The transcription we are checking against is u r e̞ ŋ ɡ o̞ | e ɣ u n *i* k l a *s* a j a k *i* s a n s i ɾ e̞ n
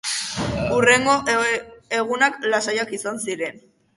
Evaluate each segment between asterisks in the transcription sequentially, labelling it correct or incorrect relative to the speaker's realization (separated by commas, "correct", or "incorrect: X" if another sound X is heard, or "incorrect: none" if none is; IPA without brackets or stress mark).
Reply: incorrect: a, correct, correct